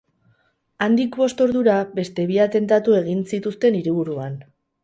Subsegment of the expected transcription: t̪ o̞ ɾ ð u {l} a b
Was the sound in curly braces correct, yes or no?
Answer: no